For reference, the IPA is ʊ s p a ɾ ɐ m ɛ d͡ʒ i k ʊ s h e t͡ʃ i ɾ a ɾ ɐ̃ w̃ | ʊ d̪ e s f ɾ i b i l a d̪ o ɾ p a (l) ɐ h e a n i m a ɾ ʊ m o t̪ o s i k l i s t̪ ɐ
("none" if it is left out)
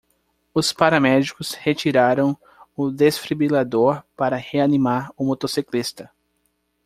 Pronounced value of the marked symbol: ɾ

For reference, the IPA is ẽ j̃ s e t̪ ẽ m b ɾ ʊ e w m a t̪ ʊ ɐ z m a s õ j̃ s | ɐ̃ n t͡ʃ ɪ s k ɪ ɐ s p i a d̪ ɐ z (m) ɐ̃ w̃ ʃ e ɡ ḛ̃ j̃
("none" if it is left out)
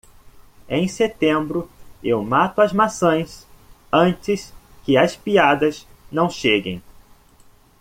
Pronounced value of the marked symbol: n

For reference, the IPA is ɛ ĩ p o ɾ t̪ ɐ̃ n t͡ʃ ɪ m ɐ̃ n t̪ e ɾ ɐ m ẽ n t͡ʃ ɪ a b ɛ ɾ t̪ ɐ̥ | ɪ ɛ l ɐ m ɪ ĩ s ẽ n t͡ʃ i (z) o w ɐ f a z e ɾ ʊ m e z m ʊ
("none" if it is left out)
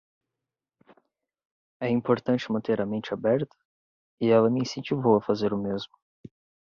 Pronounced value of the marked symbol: v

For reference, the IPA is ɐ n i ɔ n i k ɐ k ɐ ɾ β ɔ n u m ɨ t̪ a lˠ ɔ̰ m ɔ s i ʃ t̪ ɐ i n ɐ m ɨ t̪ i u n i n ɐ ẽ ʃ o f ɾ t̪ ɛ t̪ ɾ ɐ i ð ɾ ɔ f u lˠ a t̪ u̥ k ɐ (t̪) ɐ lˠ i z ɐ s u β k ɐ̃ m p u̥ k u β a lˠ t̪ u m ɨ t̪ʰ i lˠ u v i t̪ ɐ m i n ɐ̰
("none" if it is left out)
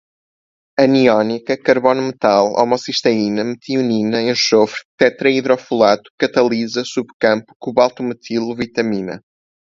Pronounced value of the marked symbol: t̪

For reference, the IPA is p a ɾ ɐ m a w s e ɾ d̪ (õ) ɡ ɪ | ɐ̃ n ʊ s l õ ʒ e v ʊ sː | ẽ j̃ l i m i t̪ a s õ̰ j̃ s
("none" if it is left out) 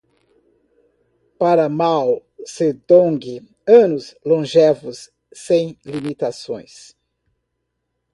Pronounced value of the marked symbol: õ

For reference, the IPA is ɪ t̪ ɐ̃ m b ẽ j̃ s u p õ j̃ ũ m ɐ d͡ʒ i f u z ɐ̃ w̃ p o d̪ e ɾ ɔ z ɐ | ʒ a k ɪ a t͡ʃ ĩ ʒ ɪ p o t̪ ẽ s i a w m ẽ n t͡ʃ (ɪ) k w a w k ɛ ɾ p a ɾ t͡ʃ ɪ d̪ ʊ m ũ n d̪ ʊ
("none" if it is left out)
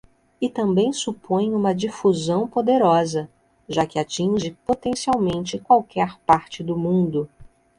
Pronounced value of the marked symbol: ɪ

